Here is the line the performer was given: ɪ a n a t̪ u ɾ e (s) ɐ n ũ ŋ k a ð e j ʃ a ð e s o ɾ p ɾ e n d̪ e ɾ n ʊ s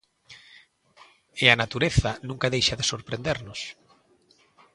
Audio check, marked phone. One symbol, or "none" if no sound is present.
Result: θ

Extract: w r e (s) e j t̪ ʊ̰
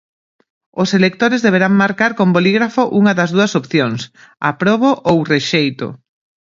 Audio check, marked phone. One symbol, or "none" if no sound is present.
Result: ʃ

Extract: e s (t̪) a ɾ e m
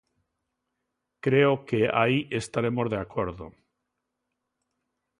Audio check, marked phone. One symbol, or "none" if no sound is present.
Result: t̪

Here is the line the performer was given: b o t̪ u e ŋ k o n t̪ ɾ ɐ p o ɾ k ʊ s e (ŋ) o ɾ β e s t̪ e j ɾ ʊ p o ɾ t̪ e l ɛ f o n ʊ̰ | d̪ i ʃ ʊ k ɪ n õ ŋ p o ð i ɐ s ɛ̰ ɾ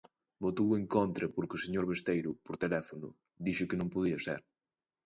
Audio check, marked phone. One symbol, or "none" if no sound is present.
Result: ɲ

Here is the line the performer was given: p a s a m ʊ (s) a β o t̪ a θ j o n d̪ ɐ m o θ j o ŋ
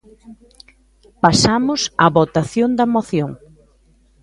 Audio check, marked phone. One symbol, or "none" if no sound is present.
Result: s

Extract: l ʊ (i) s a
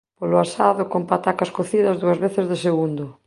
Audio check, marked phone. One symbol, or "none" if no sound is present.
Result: a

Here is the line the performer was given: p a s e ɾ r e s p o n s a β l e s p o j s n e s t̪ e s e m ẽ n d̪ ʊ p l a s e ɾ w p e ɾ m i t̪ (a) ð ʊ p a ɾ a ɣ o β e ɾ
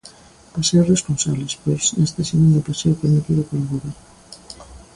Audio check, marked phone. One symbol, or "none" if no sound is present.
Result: i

